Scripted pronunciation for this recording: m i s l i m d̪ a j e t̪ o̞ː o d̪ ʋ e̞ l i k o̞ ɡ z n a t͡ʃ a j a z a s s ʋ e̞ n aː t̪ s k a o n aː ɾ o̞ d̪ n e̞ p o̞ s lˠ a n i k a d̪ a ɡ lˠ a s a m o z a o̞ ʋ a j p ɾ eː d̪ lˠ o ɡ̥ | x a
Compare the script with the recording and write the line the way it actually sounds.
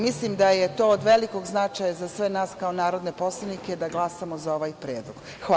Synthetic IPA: m i s l i m d̪ a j e t̪ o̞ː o d̪ ʋ e̞ l i k o̞ ɡ z n a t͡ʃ a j a z a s s ʋ e̞ n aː s k a o n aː ɾ o̞ d̪ n e̞ p o̞ s lˠ a n i k e d̪ a ɡ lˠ a s a m o z a o̞ ʋ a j p ɾ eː d̪ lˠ o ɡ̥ | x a

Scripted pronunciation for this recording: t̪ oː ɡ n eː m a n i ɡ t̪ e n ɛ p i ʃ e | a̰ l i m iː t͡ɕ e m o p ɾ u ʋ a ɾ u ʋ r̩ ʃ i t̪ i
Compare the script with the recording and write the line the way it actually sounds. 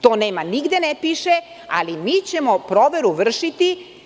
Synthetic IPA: t̪ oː n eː m a n i ɡ d̪ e n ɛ p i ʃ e | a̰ l i m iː t͡ɕ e m o p ɾ o ʋ e ɾ u ʋ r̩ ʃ i t̪ i

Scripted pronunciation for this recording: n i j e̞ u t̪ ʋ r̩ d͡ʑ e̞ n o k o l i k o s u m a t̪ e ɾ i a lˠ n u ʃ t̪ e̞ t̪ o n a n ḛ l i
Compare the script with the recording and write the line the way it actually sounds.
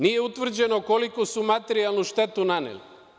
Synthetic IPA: n i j e̞ u t̪ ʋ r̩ d͡ʑ e̞ n o k o l i k o s u m a t̪ e ɾ i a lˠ n u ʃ t̪ e̞ t̪ u n a n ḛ l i

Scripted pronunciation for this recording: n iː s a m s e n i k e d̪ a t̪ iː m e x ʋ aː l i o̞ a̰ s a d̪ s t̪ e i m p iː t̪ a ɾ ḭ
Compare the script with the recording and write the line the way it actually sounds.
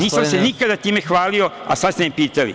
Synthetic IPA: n iː s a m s e n i k a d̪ a t̪ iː m e x ʋ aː l i o̞ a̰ s a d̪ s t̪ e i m p iː t̪ a l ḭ

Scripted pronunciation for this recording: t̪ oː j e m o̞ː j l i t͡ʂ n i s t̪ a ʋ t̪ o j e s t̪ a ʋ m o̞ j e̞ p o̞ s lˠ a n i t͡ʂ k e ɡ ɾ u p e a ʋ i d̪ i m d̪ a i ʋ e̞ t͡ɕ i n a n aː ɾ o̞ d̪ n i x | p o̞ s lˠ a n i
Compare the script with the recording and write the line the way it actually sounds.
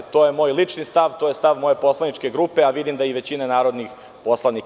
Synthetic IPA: t̪ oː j e m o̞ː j l i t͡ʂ n i s t̪ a ʋ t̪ o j e s t̪ a ʋ m o̞ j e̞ p o̞ s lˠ a n i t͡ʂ k e ɡ ɾ u p e a ʋ i d̪ i m d̪ a i ʋ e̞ t͡ɕ i n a n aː ɾ o̞ d̪ n i x | p o̞ s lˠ a n i

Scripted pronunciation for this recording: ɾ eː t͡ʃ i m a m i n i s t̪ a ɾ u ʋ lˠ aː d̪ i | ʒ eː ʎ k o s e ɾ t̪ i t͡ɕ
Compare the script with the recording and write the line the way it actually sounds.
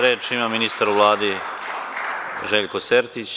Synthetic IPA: ɾ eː t͡ʃ i m a m i n i s t̪ a ɾ u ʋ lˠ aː d̪ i | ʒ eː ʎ k o s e ɾ t̪ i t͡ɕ

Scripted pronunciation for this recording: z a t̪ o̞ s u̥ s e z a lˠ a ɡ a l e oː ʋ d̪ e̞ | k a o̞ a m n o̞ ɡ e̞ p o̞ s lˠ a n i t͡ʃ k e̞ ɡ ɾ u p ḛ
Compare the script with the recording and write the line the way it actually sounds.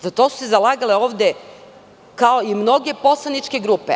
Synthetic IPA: z a t̪ o̞ s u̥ s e z a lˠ a ɡ a l e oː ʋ d̪ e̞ | k a o̞ i m n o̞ ɡ e̞ p o̞ s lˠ a n i t͡ʃ k e̞ ɡ ɾ u p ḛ

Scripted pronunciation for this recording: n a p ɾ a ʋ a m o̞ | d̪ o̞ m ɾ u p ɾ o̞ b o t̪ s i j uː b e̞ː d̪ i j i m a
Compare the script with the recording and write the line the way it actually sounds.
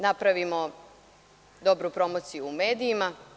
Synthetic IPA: n a p ɾ a ʋ i m o̞ | d̪ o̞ b ɾ u p ɾ o̞ m o t̪ s i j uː m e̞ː d̪ i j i m a

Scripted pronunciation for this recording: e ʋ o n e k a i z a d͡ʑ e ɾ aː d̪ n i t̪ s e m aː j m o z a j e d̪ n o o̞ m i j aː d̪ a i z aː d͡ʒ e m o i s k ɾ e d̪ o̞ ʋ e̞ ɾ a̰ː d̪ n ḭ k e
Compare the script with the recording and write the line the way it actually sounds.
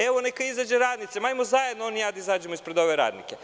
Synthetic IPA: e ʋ o n e k a i z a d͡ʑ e ɾ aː d̪ n i t̪ s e m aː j m o z a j e d̪ n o o̞ n i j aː d̪ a i z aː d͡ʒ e m o i s p ɾ e d̪ o̞ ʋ e̞ ɾ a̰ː d̪ n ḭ k e

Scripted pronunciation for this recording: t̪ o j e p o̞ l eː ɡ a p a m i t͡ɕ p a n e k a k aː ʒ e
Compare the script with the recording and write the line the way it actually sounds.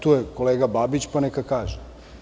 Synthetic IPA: t̪ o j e k o̞ l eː ɡ a b a b i t͡ɕ p a n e k a k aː ʒ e

